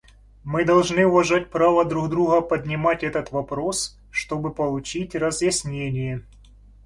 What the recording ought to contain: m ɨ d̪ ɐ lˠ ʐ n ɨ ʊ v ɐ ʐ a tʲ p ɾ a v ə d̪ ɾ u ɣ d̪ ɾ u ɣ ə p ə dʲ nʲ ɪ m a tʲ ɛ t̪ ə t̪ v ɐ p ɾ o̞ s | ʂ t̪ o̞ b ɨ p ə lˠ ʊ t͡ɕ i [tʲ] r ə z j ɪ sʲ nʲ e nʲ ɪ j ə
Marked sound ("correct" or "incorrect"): correct